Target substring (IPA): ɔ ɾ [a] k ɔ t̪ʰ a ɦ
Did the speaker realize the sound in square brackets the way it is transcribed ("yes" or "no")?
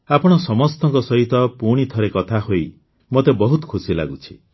no